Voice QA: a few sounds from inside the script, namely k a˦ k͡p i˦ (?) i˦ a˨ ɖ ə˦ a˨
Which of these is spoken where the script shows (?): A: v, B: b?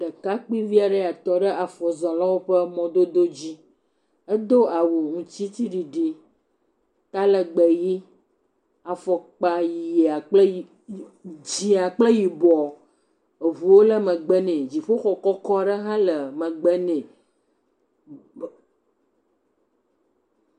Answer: A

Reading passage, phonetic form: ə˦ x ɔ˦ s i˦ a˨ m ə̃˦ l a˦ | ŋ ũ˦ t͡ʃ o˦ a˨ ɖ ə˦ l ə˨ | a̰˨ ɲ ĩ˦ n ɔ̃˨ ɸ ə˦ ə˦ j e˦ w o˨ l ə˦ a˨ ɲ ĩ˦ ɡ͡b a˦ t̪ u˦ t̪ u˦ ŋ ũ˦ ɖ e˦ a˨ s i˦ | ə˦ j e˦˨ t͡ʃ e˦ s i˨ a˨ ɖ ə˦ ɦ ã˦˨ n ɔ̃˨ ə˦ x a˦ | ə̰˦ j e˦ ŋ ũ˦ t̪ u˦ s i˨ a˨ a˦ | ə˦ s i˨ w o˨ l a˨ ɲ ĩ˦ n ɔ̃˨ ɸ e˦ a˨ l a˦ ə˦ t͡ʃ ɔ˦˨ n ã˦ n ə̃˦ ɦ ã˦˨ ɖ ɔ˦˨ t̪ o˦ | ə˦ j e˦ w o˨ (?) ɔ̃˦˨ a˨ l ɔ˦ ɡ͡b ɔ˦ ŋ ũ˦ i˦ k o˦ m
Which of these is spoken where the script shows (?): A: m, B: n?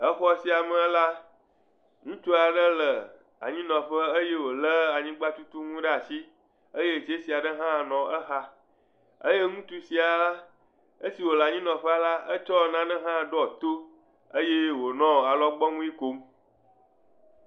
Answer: B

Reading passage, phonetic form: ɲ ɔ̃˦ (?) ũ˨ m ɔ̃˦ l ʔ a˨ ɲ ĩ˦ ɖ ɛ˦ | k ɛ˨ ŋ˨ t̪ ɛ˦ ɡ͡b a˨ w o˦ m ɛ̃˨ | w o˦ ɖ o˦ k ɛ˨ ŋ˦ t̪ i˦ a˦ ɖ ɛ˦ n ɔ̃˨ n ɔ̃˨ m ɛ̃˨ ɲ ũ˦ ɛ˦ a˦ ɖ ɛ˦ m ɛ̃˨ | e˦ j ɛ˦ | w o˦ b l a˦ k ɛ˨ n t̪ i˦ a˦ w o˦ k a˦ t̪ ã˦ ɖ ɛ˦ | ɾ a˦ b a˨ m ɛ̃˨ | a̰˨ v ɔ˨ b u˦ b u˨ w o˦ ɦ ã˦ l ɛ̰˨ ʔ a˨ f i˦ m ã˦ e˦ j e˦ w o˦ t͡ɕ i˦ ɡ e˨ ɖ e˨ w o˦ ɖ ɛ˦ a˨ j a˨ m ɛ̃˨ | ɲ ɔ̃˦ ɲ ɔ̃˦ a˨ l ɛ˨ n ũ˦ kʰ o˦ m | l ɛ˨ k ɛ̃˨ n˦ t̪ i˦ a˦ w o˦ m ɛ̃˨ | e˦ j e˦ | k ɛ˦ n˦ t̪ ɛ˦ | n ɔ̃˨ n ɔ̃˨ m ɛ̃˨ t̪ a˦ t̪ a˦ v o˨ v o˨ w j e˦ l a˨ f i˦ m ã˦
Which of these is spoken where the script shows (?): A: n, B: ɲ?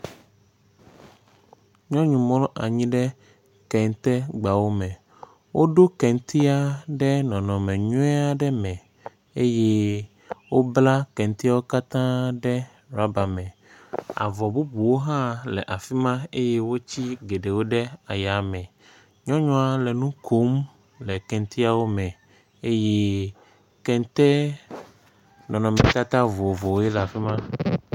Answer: B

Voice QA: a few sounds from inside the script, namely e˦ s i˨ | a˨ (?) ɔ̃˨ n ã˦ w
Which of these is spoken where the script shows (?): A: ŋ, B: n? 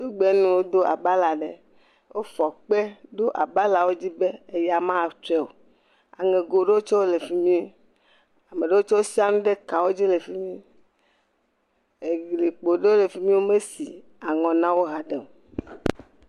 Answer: A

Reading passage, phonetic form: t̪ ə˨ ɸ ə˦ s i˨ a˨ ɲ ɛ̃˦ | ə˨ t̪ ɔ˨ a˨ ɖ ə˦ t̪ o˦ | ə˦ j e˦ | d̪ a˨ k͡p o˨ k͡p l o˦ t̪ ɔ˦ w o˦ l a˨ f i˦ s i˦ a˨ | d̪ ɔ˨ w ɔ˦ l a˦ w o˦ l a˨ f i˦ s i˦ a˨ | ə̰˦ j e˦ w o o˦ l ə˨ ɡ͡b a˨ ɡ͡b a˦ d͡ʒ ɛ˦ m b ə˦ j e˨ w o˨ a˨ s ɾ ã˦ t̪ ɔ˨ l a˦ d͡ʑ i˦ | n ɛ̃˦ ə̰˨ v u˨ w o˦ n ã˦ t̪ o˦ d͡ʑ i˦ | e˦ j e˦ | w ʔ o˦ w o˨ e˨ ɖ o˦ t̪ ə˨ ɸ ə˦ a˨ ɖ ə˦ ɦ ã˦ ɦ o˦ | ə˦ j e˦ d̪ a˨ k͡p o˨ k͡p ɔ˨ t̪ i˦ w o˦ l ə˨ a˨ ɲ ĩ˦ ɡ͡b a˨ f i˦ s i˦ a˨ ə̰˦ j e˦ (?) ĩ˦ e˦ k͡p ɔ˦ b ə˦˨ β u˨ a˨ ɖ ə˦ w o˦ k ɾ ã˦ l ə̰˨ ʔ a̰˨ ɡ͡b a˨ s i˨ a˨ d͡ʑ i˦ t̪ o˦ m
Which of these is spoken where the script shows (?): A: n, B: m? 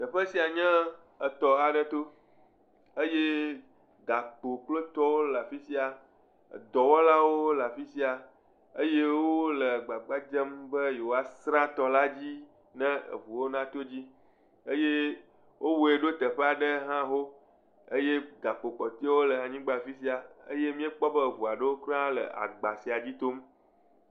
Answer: B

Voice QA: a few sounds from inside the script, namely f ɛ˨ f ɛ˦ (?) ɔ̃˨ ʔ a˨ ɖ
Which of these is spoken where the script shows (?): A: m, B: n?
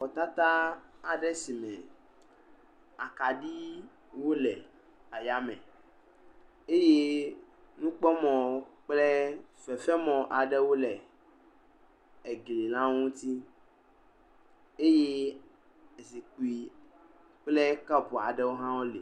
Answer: A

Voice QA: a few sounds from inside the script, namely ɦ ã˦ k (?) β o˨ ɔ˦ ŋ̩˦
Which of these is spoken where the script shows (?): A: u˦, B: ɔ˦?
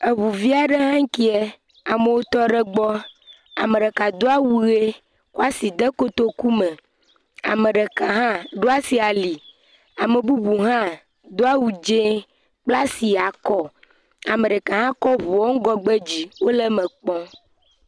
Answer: B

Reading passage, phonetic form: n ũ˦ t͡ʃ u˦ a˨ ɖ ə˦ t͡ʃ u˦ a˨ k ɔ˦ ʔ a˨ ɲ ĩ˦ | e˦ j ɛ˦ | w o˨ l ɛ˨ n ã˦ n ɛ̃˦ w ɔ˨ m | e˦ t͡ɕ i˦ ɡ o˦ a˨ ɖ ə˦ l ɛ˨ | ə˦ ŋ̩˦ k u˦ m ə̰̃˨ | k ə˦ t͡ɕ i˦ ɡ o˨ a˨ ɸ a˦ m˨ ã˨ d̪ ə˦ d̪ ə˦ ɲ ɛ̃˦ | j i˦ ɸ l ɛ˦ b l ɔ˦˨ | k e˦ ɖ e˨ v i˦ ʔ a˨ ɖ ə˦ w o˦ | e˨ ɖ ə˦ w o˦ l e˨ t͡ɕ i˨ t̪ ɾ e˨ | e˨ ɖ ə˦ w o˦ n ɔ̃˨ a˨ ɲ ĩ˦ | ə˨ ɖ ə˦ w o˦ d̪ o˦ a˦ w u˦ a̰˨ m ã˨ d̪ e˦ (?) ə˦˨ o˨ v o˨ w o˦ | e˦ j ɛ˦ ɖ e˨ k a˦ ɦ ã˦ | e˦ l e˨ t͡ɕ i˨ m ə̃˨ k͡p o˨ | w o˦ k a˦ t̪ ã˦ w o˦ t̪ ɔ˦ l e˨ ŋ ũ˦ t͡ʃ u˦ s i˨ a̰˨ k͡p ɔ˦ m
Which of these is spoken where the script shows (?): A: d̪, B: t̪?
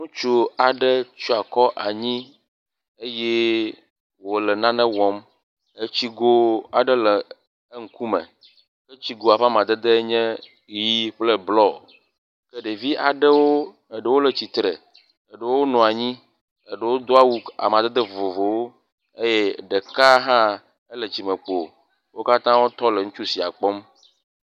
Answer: A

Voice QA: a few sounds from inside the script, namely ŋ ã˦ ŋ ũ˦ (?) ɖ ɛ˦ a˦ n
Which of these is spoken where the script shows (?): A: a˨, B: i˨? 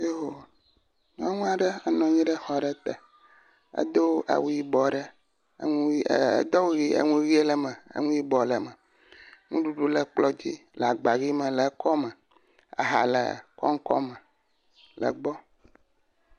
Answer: A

